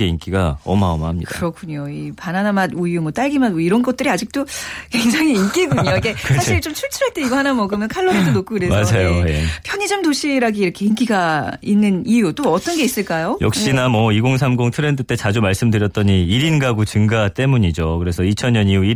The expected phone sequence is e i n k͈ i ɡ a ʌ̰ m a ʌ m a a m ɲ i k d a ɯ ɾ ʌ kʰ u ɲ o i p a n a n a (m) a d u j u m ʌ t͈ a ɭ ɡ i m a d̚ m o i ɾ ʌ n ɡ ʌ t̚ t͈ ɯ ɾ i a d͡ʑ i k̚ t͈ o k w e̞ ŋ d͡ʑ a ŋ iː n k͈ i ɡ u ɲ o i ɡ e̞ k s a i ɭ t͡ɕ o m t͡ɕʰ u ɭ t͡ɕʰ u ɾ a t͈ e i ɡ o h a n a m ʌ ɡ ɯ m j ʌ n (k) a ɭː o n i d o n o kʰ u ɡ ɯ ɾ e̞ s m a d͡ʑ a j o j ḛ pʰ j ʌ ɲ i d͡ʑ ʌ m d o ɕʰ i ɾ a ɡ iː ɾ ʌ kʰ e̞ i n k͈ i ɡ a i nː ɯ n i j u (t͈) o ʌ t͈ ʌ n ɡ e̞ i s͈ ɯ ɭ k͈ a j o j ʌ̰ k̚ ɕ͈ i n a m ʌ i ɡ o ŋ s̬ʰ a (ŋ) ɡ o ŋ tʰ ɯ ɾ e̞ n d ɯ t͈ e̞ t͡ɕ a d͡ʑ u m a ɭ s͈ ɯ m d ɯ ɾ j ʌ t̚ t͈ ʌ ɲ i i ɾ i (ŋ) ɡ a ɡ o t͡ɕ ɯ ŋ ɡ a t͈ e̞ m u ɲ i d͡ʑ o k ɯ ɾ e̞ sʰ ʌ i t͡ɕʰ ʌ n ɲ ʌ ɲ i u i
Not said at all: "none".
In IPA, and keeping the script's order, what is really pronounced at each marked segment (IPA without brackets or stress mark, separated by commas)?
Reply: m, kʰ, t͈, m, n